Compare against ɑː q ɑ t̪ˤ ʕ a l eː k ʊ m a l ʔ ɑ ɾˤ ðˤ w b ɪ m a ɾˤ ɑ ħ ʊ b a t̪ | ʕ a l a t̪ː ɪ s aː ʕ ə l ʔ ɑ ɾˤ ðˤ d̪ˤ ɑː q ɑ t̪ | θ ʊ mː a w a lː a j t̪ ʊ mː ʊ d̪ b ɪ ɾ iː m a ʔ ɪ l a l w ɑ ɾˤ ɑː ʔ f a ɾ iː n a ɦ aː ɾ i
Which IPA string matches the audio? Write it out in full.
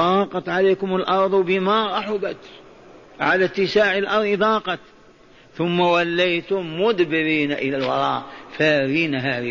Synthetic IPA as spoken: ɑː q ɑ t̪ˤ ʕ a l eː k ʊ m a l ʔ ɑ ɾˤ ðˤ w b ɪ m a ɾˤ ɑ ħ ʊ b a t̪ | ʕ a l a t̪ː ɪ s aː ʕ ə l ʔ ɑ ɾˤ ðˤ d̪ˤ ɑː q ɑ t̪ | θ ʊ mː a w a lː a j t̪ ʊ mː ʊ d̪ b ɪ ɾ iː n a ʔ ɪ l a l w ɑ ɾˤ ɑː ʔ f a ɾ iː n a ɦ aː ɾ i